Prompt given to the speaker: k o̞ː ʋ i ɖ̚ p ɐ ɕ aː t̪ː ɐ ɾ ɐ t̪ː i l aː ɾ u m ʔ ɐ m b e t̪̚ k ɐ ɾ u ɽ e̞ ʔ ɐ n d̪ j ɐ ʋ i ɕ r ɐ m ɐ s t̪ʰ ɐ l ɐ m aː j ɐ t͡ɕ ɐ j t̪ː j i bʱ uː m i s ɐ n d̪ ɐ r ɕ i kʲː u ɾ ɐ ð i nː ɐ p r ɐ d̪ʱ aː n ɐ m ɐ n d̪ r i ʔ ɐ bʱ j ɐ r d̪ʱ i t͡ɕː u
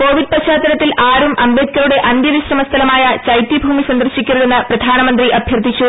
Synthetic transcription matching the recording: k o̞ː ʋ i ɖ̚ p ɐ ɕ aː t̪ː ɐ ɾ ɐ t̪ː i l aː ɾ u m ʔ ɐ m b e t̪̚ k ɐ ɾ u ɽ e̞ ʔ ɐ n d̪ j ɐ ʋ i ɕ r ɐ m ɐ s t̪ʰ ɐ l ɐ m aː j ɐ t͡ɕ ɐ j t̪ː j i bʱ uː m i s ɐ n d̪ ɐ r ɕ i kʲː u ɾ ɐ ð e nː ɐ p r ɐ d̪ʱ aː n ɐ m ɐ n d̪ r i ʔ ɐ bʱ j ɐ r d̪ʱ i t͡ɕː u